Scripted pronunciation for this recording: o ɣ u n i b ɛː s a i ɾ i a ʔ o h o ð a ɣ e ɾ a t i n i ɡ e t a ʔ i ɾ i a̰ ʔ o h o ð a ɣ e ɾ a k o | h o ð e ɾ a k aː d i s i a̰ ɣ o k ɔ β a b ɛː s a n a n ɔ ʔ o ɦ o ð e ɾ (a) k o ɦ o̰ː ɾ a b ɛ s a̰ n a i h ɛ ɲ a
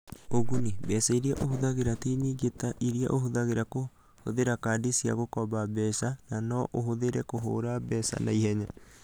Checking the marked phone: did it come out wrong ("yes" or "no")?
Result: yes